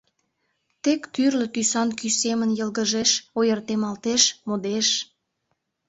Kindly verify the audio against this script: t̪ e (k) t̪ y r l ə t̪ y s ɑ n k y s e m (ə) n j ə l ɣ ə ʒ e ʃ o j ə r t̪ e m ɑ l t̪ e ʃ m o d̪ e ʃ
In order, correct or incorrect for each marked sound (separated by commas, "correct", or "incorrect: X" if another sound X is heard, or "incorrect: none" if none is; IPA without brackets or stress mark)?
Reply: correct, correct